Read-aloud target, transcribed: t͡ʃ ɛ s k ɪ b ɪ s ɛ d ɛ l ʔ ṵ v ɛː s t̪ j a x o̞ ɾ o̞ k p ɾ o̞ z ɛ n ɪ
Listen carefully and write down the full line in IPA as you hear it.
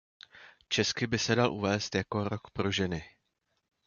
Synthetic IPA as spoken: t͡ʃ ɛ s k ɪ b ɪ s ɛ d a l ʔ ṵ v ɛː s t̪ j a k o̞ ɾ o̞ k p ɾ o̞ ʒ ɛ n ɪ